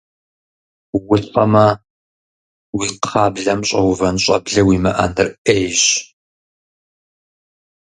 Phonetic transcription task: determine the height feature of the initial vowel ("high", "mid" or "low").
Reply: high